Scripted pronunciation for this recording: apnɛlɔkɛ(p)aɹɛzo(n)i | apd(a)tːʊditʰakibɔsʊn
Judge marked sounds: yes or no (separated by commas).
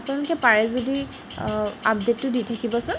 yes, no, no